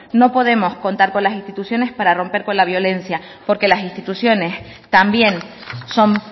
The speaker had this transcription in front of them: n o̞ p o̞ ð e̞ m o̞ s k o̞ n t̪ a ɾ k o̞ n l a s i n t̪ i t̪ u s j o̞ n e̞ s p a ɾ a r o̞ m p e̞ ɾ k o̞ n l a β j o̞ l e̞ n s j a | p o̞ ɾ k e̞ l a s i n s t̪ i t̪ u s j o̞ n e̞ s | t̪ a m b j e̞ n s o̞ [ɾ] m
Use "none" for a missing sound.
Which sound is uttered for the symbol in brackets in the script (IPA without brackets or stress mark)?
none